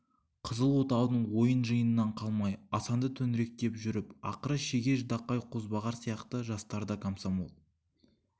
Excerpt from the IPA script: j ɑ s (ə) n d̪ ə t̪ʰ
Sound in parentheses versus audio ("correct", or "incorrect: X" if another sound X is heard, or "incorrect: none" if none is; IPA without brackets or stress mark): incorrect: ɑ